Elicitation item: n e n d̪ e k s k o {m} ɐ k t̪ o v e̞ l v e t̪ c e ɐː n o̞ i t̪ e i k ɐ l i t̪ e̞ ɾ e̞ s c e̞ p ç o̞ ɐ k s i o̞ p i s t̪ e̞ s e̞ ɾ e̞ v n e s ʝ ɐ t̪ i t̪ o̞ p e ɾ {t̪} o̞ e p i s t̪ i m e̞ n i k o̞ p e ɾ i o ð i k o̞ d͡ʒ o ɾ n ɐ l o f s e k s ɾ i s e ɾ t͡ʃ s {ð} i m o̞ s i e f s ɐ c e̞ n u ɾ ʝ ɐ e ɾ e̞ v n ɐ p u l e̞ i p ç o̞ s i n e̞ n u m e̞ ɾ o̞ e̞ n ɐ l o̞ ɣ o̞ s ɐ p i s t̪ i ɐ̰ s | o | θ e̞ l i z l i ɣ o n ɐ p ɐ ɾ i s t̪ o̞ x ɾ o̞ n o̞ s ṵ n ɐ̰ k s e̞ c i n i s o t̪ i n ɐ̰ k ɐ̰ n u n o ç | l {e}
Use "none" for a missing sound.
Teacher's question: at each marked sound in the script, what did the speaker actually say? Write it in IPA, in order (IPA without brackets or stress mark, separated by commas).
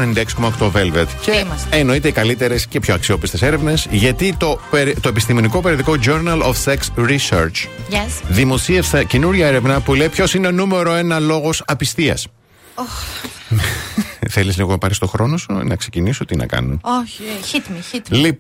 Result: m, t̪, ð, i